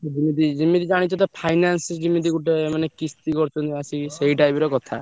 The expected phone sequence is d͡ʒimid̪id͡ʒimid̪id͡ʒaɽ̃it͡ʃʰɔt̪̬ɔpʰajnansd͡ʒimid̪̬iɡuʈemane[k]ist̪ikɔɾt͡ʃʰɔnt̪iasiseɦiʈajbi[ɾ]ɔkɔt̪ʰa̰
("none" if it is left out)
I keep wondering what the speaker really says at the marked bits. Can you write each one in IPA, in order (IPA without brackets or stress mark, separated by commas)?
k, ɾ